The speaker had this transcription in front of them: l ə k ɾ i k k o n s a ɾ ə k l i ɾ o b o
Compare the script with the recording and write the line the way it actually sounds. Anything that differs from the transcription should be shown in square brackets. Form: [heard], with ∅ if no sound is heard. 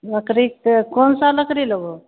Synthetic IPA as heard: l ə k ɾ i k k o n s a [l] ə k [ɾ] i [l] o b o